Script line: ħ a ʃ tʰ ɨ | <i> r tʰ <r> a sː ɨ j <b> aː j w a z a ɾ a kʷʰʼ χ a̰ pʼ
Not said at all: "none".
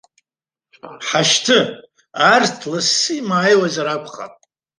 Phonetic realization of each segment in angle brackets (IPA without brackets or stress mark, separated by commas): a, l, m